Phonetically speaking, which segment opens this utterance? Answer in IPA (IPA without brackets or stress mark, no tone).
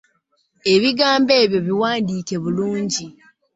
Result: e̞